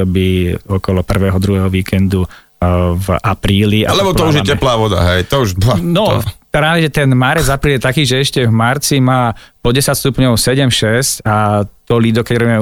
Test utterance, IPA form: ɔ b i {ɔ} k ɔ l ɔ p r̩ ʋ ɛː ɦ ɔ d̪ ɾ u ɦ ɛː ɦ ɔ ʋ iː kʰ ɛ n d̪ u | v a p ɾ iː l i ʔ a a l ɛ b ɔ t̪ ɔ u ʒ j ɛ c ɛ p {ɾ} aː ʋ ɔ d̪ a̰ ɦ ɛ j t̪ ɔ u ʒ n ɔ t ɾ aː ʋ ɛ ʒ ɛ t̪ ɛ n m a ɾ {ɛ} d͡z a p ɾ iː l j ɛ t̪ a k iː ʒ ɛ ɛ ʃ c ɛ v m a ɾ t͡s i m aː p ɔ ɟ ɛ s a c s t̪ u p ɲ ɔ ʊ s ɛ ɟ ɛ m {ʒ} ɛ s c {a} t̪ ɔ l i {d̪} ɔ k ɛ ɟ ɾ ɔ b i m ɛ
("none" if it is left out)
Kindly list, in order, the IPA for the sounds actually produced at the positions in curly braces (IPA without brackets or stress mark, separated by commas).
ɔ, l, ɛ, ʃ, a, d̪